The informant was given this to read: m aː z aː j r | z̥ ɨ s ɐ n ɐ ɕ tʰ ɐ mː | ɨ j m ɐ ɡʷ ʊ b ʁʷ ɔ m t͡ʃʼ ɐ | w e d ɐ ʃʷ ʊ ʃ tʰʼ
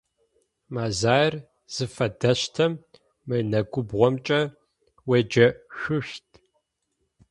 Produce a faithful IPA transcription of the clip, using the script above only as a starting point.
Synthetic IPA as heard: m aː z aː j r | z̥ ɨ f ɐ d ɐ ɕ tʰ ɐ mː | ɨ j n ɐ ɡʷ ʊ b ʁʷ ɔ m t͡ʃʼ ɐ | w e d͡ʒ ɐ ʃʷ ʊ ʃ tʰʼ